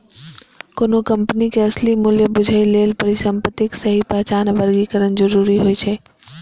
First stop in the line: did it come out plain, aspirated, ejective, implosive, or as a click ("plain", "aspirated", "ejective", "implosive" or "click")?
plain